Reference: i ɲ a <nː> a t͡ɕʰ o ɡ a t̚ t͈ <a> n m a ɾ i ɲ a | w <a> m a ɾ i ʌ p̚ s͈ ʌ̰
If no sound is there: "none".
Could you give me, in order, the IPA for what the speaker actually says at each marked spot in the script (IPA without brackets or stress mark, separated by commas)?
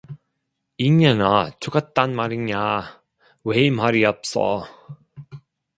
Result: n, a, e